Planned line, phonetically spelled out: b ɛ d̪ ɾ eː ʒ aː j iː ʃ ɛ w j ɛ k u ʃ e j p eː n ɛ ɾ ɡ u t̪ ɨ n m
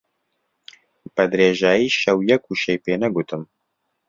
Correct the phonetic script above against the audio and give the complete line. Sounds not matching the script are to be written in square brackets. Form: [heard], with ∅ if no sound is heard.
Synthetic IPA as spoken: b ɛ d̪ ɾ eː ʒ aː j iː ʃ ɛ w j ɛ k u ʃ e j p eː n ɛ [∅] ɡ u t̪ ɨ [∅] m